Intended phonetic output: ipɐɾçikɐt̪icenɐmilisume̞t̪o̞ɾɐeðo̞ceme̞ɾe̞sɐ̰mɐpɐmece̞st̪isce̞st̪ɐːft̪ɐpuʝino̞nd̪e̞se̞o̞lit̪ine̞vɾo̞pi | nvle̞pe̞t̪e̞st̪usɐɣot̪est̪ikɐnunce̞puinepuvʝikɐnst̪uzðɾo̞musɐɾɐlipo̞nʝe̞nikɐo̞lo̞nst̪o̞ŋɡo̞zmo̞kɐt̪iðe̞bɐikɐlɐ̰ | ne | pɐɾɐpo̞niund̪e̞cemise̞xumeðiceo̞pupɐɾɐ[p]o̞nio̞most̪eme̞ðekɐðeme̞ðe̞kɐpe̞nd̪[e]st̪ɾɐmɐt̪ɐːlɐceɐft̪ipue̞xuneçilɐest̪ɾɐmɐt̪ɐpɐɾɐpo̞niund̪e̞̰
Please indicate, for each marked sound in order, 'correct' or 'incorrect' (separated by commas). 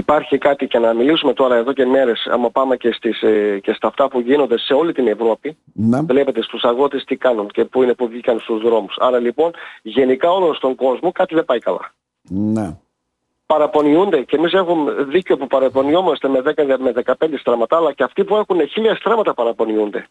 correct, correct